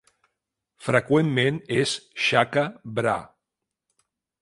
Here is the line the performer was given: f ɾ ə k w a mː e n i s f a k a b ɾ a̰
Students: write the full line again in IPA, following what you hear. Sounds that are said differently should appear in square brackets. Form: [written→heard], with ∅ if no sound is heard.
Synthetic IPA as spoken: f ɾ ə k w [a→e] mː e n [i→e] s [f→ʃ] a k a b ɾ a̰